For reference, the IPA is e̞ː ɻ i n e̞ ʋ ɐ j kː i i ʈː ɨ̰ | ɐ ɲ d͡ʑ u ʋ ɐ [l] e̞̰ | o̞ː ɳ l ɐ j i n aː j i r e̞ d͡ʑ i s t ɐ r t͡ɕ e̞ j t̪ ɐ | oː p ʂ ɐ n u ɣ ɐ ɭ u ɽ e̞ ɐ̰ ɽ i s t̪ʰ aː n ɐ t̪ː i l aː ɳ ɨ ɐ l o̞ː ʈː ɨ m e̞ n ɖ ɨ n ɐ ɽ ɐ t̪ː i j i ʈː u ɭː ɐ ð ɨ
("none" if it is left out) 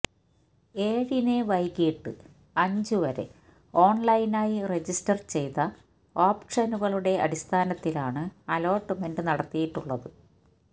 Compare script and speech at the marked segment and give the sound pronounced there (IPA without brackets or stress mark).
ɾ